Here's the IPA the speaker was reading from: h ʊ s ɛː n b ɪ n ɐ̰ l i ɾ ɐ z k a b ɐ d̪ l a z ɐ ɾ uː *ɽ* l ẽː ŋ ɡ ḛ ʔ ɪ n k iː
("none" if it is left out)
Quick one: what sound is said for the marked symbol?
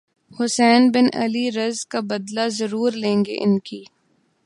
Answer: ɾ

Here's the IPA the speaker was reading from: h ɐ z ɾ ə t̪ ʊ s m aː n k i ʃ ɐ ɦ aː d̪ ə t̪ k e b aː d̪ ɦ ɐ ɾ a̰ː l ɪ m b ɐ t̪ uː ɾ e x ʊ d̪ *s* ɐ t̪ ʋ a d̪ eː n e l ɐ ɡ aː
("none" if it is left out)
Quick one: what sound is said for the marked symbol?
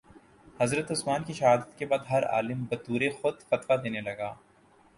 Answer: f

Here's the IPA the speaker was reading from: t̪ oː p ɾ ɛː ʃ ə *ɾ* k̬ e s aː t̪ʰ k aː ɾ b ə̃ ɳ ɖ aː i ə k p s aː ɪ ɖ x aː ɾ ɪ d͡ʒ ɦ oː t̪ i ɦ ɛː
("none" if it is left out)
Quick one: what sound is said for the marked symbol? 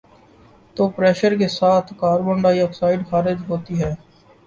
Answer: ɾ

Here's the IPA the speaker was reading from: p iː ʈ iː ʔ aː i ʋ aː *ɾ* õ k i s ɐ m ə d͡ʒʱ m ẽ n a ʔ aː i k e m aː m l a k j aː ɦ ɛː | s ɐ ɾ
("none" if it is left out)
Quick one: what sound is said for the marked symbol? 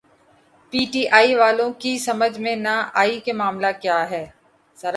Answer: l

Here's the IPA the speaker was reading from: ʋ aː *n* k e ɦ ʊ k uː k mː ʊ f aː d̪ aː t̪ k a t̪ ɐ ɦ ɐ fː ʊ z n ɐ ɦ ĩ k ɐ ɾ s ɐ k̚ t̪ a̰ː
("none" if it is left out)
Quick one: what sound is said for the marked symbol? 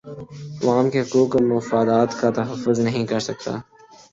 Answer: m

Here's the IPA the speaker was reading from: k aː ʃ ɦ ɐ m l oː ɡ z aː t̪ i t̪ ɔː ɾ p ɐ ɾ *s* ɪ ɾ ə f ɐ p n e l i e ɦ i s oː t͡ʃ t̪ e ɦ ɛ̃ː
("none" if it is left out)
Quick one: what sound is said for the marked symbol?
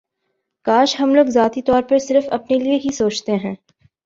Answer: s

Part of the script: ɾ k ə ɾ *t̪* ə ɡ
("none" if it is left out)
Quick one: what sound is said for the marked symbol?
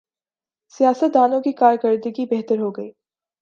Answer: d̪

